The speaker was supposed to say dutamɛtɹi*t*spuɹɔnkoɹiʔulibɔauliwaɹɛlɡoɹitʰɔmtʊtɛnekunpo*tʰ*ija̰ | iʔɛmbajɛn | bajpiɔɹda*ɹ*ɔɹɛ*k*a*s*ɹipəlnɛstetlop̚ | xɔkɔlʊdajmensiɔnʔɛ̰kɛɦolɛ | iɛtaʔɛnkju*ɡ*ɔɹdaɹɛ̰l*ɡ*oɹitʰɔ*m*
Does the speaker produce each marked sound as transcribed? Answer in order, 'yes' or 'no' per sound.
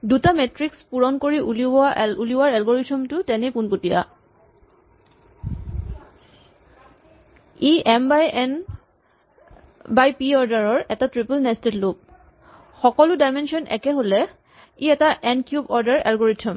no, no, yes, no, no, no, yes, yes

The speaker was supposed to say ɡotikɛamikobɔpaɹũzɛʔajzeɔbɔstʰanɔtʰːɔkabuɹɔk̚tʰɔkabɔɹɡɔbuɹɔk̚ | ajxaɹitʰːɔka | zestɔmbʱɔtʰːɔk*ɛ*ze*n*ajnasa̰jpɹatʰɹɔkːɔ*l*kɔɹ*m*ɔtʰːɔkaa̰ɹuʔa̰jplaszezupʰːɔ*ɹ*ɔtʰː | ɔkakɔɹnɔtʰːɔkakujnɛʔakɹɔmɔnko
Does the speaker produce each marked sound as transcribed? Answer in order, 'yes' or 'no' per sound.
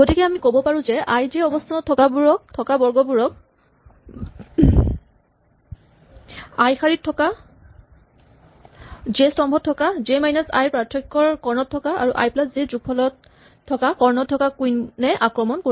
no, no, no, no, no

